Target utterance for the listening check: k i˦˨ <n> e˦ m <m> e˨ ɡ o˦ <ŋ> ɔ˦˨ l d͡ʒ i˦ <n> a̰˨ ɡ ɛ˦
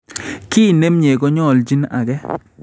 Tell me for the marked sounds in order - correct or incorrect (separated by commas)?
correct, incorrect, incorrect, correct